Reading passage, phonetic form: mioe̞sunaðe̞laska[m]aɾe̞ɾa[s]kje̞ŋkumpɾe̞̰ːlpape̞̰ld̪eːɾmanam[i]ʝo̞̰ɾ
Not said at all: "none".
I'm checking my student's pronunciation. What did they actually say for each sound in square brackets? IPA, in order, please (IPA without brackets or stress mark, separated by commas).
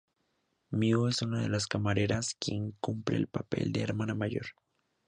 m, s, a